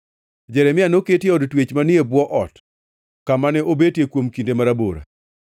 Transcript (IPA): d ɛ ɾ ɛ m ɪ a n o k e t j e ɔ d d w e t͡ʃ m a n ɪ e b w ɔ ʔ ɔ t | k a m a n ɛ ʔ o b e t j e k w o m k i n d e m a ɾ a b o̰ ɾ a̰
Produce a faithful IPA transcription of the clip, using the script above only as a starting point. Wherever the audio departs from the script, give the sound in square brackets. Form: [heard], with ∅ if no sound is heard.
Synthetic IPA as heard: [d͡ʒ] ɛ ɾ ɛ m ɪ a n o k e t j e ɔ d [t] w e t͡ʃ m a n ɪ e b w ɔ ʔ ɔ t | k a m a n ɛ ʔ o b e t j e k w o m k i n d e m a ɾ a b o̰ ɾ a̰